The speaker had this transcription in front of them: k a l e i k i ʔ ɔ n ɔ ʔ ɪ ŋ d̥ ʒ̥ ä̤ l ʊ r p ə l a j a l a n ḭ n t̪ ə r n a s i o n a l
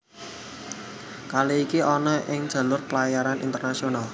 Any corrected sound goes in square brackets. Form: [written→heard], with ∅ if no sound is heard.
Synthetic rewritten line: k a l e i k i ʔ ɔ n ɔ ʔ ɪ ŋ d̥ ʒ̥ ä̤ l ʊ r p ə l a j a [l→ɾ] a n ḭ n t̪ ə r n a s i o n a l